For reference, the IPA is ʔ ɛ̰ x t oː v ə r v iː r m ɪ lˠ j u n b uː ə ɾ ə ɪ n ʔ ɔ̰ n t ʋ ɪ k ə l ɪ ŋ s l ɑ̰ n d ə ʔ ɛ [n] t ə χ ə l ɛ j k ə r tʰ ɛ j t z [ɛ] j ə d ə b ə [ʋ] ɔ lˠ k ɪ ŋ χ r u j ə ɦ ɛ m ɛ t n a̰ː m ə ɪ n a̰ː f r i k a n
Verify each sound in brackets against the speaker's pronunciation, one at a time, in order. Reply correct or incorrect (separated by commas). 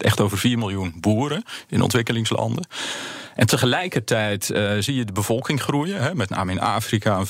correct, incorrect, incorrect